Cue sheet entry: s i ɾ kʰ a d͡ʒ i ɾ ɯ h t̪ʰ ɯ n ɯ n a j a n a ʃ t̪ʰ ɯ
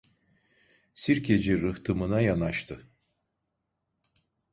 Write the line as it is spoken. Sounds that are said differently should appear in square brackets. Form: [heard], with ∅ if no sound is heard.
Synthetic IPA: s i ɾ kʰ [e] d͡ʒ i ɾ ɯ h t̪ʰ ɯ [m] ɯ n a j a n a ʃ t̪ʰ ɯ